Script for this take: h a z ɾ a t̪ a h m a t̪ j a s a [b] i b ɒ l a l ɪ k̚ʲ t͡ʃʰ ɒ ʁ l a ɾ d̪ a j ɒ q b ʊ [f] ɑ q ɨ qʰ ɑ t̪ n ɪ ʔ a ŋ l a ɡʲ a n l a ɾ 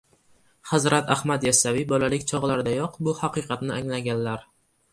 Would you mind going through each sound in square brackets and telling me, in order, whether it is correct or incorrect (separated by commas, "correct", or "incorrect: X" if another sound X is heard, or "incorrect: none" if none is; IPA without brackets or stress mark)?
incorrect: v, incorrect: h